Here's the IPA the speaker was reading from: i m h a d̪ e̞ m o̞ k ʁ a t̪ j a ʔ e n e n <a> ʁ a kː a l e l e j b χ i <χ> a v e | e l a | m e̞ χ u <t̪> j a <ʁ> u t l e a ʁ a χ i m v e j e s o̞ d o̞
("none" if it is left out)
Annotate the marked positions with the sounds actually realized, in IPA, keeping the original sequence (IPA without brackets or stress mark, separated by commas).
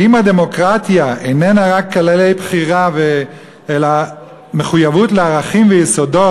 a, ʁ, none, v